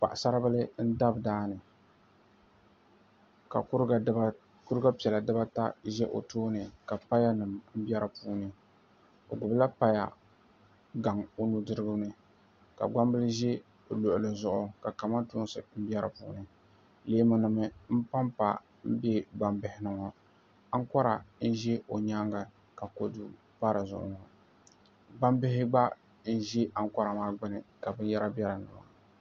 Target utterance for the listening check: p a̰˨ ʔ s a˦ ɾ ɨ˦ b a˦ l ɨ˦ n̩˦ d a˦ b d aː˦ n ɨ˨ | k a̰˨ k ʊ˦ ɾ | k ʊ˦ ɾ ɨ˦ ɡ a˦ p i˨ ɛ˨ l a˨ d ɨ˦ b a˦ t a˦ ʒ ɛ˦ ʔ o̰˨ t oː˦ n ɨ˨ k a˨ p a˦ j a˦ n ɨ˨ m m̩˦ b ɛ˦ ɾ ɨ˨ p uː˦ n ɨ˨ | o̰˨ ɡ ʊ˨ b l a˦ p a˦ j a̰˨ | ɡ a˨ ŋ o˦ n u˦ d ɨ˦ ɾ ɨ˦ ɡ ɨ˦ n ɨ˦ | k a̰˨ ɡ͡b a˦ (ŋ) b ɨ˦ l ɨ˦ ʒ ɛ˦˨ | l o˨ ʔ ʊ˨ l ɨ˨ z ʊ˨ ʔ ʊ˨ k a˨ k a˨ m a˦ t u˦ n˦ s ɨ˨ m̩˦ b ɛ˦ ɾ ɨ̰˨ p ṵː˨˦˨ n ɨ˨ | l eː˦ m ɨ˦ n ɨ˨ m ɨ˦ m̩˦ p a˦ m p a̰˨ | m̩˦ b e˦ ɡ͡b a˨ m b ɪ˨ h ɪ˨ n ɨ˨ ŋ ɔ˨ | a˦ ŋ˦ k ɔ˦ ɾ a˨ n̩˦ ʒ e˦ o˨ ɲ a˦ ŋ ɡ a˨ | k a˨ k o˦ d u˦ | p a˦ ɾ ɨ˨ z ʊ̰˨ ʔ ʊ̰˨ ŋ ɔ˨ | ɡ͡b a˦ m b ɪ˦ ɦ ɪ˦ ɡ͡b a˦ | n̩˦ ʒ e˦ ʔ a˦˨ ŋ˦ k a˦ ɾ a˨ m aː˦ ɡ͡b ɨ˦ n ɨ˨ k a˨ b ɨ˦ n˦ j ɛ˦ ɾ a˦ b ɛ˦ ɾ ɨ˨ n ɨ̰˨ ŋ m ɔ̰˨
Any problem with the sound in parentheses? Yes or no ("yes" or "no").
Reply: yes